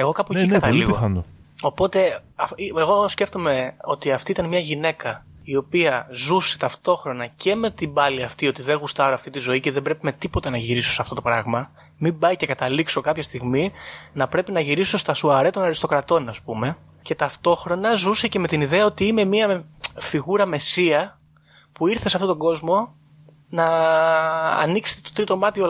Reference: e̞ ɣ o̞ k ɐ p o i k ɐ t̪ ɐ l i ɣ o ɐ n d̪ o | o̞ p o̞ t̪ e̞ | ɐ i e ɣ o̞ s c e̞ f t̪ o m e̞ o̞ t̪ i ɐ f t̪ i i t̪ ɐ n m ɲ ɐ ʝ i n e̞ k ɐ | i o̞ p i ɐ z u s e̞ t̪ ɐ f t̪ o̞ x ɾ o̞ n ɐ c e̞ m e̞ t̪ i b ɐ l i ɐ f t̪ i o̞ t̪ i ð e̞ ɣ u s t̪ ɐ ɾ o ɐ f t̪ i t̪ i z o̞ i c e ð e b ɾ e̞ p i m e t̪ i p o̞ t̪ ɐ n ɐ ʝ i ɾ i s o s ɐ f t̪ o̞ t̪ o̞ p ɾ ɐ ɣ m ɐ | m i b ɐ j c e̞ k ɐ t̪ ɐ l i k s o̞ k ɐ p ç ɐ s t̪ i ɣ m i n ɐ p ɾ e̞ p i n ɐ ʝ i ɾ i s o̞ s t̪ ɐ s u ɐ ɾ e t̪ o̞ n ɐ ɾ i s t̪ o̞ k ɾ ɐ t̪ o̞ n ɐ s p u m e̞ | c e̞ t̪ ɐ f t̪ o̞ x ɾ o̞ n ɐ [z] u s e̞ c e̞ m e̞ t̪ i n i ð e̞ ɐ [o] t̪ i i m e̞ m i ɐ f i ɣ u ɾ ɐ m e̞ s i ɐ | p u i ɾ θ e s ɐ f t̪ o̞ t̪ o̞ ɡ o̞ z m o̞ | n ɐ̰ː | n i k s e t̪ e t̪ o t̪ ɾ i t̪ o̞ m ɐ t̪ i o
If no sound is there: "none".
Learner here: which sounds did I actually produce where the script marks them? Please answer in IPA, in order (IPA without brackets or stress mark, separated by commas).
z, o